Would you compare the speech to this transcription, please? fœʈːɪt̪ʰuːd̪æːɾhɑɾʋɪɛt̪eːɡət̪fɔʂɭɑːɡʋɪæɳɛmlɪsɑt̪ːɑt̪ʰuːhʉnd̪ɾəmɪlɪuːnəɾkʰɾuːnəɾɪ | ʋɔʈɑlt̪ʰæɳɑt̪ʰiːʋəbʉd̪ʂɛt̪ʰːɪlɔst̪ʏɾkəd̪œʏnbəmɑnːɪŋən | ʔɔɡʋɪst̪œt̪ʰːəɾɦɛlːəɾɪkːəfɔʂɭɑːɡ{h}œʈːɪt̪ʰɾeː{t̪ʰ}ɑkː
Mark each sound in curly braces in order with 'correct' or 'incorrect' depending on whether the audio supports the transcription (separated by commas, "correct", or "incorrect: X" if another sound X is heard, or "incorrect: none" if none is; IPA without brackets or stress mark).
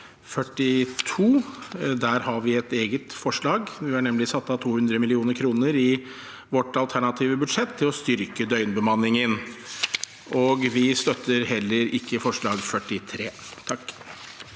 incorrect: f, correct